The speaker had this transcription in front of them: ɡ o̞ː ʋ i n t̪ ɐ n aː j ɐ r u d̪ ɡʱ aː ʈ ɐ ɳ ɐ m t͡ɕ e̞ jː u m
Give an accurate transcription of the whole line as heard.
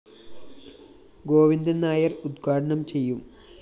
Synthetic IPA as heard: ɡ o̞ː ʋ i n d̪ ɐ n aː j ɐ r u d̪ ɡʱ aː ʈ ɐ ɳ ɐ m t͡ɕ e̞ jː u m